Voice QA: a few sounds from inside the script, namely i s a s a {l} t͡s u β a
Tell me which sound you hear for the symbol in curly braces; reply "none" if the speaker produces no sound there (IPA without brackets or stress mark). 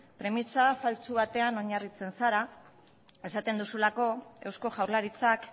l